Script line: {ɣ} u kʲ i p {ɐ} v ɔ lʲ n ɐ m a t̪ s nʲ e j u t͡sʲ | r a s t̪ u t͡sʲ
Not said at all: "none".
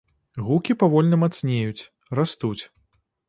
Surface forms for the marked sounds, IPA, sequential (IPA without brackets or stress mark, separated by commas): ɣ, a